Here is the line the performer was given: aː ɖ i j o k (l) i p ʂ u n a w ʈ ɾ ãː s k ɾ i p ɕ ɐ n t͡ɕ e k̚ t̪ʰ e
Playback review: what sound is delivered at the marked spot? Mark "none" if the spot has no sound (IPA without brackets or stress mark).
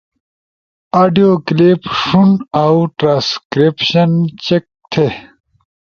l